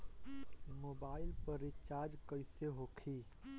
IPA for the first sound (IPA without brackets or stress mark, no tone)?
m